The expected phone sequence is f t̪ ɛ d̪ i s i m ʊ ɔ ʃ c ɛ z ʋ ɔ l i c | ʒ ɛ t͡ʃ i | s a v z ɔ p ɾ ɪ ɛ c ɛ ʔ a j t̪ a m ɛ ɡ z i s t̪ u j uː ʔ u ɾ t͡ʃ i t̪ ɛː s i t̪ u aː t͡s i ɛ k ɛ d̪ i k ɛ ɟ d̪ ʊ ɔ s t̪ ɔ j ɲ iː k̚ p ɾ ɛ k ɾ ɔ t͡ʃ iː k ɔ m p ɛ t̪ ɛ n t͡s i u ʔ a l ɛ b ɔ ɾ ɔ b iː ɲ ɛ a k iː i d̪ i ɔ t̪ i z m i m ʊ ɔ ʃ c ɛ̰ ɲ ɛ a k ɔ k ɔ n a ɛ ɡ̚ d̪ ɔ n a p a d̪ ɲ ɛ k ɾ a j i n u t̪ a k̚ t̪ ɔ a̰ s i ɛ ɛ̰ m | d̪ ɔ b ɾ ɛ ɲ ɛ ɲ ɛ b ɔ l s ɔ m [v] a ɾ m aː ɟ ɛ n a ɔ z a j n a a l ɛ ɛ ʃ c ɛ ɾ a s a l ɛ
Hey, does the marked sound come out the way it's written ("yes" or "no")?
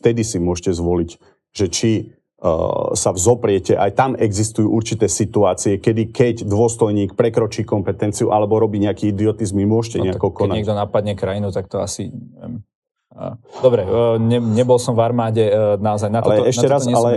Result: yes